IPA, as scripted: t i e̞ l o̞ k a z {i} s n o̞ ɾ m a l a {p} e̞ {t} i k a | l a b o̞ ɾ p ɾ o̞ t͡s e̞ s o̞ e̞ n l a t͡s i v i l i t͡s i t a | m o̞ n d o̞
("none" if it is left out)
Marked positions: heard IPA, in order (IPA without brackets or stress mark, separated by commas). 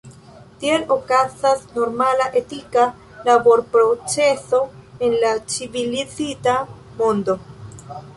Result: a, ʔ, t